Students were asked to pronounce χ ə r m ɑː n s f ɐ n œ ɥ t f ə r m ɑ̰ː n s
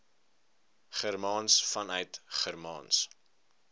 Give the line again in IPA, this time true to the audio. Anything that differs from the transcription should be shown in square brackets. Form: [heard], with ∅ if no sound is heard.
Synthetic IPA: χ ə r m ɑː n s f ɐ n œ ɥ t [χ] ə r m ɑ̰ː n s